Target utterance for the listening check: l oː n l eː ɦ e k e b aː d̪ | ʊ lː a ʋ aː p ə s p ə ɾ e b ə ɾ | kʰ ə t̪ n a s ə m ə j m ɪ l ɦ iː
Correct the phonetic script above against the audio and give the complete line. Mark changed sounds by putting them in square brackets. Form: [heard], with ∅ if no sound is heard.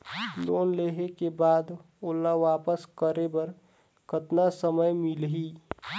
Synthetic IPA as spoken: l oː n l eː ɦ e k e b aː d̪ | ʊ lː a ʋ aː p ə s [k] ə ɾ e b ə ɾ | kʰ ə t̪ n a s ə m ə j m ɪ l ɦ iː